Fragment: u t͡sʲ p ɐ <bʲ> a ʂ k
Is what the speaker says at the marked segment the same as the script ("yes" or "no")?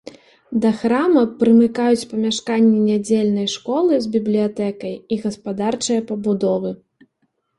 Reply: no